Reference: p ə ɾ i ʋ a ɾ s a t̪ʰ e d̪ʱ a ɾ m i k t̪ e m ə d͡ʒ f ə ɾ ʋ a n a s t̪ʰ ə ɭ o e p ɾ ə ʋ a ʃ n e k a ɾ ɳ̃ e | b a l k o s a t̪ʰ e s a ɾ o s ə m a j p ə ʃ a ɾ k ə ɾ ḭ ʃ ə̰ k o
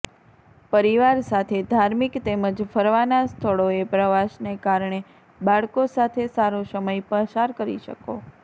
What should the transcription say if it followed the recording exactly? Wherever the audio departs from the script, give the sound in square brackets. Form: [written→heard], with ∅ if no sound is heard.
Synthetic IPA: p ə ɾ i ʋ a ɾ s a t̪ʰ e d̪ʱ a ɾ m i k t̪ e m ə d͡ʒ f ə ɾ ʋ a n a s t̪ʰ ə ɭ o e p ɾ ə ʋ a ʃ n e k a ɾ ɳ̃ e | b a [l→ɭ] k o s a t̪ʰ e s a ɾ o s ə m [a→ə] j p ə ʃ a ɾ k ə ɾ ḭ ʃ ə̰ k o

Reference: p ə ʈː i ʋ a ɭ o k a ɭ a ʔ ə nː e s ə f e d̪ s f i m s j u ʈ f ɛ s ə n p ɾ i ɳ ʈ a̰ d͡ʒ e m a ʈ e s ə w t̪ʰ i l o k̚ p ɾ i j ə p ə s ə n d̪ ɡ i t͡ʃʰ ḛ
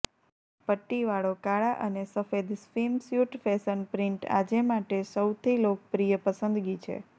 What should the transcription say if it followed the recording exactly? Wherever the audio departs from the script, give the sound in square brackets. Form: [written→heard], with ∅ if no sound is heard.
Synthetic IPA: p ə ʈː i ʋ a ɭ o k a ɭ a ʔ ə [nː→n] e s ə f e d̪ s f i m s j u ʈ f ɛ s ə n p ɾ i ɳ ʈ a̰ d͡ʒ e m a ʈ e s ə w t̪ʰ i l o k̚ p ɾ i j ə p ə s ə n d̪ ɡ i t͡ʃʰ ḛ

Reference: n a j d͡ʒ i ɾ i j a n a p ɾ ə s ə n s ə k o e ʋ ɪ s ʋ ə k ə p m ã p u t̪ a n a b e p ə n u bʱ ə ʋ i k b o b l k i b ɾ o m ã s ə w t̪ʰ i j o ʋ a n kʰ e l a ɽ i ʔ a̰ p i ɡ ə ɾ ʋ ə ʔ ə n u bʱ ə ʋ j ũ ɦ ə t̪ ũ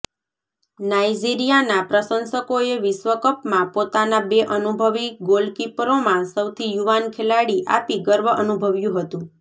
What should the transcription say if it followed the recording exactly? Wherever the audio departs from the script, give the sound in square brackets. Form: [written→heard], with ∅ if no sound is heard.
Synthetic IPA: n a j d͡ʒ i ɾ i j a n a p ɾ ə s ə n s ə k o e ʋ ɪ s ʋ ə k ə p m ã p [u→o] t̪ a n a b e [p→ʔ] ə n u bʱ ə ʋ i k [b→ɡ] o [b→∅] l k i [b→p] ɾ o m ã s ə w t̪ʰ i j [o→u] ʋ a n kʰ e l a ɽ i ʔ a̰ p i ɡ ə ɾ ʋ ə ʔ ə n u bʱ ə ʋ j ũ ɦ ə t̪ ũ

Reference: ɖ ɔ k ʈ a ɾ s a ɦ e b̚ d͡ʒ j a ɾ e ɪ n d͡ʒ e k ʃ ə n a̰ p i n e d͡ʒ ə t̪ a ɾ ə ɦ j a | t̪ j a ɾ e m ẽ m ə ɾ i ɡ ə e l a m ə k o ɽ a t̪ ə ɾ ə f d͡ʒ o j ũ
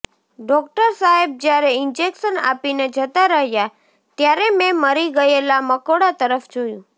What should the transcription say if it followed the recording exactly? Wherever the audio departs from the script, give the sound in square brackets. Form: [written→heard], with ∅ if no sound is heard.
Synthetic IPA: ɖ ɔ k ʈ [a→ə] ɾ s a ɦ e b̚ d͡ʒ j a ɾ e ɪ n d͡ʒ e k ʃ ə n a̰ p i n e d͡ʒ ə t̪ a ɾ ə ɦ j a | t̪ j a ɾ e m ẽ m ə ɾ i ɡ ə e l a m ə k o ɽ a t̪ ə ɾ ə f d͡ʒ o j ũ

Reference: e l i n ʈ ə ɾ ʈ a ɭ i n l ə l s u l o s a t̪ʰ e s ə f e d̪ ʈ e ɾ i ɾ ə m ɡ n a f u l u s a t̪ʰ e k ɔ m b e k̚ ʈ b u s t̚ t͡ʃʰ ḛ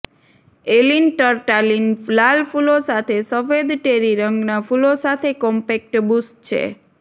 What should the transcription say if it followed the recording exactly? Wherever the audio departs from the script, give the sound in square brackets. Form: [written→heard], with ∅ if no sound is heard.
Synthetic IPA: e l i n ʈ ə ɾ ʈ a [ɭ→l] i n l [ə→a] l [s→f] u l o s a t̪ʰ e s ə f e d̪ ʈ e ɾ i ɾ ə [m→ŋ] ɡ n a f u l [u→o] s a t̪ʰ e k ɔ m [b→p] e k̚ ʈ b u s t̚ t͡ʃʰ ḛ

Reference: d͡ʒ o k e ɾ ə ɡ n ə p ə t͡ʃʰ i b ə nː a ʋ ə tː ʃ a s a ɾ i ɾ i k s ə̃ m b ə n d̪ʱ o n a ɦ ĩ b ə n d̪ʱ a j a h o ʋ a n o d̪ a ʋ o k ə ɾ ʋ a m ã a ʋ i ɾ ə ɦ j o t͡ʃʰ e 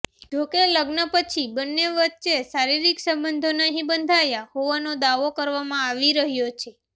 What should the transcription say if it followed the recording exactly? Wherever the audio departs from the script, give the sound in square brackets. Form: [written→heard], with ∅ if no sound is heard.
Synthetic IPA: d͡ʒ o k e [ɾ→l] ə ɡ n ə p ə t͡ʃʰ i b ə nː [a→e] ʋ ə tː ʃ [a→e] s a ɾ i ɾ i k s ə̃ m b ə n d̪ʱ o n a ɦ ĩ b ə n d̪ʱ a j a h o ʋ a n o d̪ a ʋ o k ə ɾ ʋ a m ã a ʋ i ɾ ə ɦ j o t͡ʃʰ e

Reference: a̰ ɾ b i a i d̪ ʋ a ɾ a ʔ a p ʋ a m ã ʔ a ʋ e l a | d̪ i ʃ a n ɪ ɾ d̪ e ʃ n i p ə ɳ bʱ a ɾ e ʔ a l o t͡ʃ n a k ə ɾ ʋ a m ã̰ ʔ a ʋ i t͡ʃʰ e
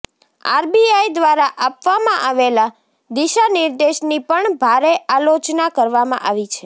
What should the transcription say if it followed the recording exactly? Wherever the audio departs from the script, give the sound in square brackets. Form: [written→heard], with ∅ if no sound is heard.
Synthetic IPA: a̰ ɾ b i a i d̪ ʋ a ɾ a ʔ a p ʋ a m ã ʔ a ʋ e l a | d̪ i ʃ a n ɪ ɾ d̪ e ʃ n i p ə ɳ bʱ a ɾ e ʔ a l o t͡ʃ n a k ə ɾ ʋ a m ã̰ ʔ a ʋ i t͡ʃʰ e

